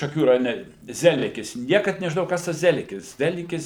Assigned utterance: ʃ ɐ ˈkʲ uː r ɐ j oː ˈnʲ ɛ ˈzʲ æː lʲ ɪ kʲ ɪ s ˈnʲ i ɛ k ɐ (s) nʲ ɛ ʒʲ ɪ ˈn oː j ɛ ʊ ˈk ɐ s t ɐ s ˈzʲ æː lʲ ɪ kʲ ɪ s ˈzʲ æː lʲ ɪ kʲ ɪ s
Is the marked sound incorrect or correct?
incorrect